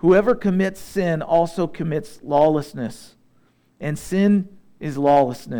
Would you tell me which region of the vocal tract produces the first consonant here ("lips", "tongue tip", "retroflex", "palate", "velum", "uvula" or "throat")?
throat